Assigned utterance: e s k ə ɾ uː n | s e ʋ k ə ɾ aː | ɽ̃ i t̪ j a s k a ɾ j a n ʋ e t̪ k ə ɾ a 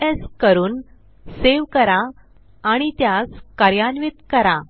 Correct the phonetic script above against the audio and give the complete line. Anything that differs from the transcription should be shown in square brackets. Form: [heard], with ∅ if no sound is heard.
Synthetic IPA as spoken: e s k ə ɾ uː n | s e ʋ k ə ɾ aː | ɽ̃ i t̪ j a s k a ɾ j a n ʋ [i] t̪ k ə ɾ a

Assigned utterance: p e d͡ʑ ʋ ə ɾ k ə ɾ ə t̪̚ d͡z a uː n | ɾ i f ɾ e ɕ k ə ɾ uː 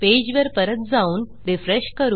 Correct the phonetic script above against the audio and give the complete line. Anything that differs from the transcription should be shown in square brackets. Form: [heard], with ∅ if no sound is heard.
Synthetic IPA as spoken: p e d͡ʑ ʋ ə ɾ [p] ə ɾ ə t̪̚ d͡z a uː n | ɾ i f ɾ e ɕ k ə ɾ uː

